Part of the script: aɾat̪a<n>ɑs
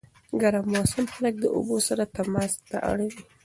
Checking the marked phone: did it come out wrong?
yes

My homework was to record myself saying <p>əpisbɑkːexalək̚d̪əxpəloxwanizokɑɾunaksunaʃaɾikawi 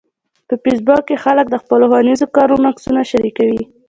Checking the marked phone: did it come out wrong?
no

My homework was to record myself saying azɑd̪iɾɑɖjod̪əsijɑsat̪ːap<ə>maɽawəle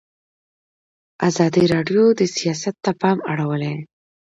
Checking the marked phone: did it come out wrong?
yes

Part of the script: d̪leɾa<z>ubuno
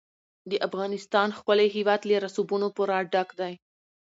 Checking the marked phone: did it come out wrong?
yes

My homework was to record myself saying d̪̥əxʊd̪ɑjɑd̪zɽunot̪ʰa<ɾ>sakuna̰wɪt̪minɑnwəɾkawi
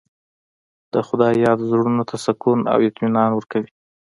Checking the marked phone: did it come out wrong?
yes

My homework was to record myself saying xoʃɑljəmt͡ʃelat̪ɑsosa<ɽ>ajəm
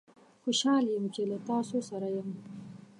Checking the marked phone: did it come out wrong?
yes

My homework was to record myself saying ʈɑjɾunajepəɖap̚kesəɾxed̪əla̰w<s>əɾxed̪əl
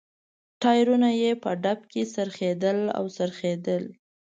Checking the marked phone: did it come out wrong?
no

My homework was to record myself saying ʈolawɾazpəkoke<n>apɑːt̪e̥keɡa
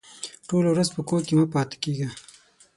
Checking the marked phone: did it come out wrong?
yes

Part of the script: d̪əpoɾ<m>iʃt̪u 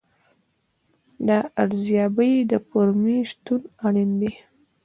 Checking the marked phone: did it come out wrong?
no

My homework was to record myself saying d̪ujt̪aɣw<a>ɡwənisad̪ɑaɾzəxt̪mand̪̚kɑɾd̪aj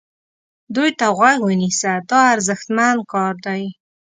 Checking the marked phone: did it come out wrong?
no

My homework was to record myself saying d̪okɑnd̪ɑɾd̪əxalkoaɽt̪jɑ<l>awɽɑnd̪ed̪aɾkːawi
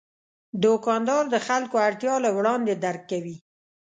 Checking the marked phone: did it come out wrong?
no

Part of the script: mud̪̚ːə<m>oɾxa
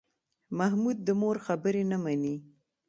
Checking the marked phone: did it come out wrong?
no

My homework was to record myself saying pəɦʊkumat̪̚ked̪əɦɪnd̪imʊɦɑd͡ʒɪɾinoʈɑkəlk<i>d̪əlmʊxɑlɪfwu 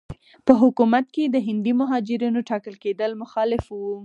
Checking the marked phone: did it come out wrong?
yes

